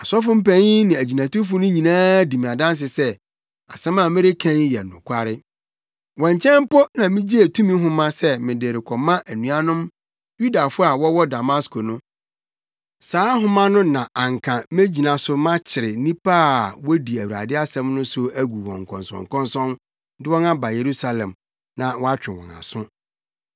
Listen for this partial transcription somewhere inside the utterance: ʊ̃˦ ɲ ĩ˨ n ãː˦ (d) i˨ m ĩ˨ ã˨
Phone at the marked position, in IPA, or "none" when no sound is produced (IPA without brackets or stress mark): d